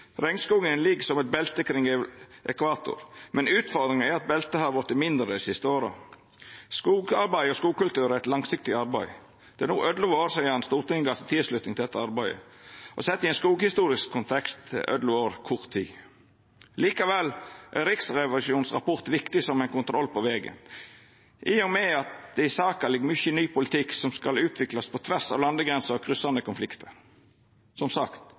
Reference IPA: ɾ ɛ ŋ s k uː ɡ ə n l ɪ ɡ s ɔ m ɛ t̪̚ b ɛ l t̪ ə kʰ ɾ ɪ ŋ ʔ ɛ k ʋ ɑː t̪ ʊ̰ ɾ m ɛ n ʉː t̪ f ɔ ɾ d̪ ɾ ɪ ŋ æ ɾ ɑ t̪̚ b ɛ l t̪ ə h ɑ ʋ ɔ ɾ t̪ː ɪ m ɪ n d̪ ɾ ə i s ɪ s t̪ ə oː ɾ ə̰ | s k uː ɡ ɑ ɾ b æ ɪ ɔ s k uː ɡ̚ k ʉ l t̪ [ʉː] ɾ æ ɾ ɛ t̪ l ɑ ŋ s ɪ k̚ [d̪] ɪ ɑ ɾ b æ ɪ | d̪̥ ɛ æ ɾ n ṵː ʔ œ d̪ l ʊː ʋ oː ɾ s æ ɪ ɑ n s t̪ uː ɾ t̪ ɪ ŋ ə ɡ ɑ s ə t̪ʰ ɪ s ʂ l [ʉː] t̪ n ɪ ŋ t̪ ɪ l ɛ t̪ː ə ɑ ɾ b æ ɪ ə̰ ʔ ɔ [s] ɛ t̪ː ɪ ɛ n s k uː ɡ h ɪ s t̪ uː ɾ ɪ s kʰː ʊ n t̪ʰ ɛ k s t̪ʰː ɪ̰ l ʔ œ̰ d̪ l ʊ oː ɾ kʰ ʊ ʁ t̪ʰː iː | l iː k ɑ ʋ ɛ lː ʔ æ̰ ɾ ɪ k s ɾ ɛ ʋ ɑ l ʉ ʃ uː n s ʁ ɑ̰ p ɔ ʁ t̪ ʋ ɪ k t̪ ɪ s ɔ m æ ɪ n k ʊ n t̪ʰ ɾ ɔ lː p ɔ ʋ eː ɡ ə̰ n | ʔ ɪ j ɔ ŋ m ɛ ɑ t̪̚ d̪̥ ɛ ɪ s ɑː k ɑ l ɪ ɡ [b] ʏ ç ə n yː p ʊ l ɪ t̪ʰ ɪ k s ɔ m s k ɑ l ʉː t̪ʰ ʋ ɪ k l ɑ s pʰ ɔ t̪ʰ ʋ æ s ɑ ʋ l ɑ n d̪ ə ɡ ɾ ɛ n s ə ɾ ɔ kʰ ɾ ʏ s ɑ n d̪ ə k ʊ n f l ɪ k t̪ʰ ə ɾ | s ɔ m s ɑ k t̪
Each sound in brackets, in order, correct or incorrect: correct, incorrect: t̪, incorrect: ʉ, correct, incorrect: m

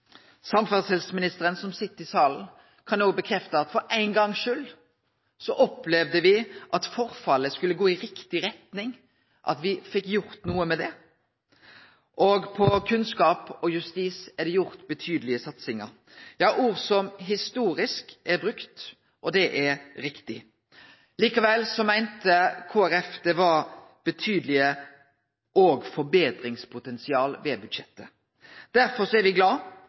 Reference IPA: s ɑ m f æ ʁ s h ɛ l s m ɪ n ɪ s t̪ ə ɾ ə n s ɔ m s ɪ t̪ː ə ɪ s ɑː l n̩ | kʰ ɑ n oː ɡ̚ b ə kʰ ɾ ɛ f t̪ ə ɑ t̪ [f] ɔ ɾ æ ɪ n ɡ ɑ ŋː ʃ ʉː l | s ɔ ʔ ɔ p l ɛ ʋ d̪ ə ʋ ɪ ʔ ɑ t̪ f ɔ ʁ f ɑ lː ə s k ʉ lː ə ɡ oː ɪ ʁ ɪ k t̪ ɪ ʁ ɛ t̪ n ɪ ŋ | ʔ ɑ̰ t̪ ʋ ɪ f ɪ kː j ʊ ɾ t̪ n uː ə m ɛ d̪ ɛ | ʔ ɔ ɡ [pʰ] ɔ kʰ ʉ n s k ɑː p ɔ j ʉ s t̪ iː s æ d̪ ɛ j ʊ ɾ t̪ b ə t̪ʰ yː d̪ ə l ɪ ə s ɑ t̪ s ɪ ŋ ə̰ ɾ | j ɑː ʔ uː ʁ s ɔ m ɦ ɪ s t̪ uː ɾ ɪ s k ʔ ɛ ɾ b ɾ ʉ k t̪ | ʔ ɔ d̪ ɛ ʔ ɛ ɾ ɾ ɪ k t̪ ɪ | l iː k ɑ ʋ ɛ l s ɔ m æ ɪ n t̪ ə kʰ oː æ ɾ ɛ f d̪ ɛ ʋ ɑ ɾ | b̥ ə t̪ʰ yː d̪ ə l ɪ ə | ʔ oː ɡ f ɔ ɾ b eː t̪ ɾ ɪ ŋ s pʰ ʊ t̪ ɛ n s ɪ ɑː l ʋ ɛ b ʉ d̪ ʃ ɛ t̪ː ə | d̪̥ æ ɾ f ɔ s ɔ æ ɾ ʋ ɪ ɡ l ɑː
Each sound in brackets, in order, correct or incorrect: correct, correct

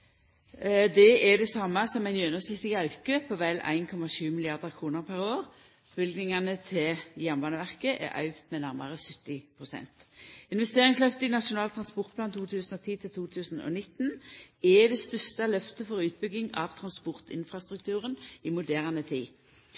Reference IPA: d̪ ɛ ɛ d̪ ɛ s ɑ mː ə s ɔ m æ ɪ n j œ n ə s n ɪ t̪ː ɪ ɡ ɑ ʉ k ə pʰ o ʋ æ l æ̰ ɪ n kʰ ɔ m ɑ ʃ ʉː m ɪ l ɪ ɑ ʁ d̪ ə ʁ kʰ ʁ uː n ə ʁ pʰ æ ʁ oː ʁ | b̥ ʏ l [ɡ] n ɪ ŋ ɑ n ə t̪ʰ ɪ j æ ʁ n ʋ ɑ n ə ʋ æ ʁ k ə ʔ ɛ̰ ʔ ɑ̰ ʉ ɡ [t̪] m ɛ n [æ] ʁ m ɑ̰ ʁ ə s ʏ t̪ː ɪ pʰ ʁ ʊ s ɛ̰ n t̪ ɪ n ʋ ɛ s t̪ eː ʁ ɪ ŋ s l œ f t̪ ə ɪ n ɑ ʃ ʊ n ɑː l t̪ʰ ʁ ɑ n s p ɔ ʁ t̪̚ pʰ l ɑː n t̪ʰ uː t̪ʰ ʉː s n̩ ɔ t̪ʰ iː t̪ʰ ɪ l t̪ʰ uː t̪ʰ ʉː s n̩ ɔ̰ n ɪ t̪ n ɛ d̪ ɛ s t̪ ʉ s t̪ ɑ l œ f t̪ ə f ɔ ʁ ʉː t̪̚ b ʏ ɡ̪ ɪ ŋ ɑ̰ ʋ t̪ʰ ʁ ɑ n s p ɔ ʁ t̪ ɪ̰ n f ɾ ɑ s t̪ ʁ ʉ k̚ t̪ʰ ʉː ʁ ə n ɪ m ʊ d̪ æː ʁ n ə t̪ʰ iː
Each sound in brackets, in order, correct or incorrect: correct, correct, correct

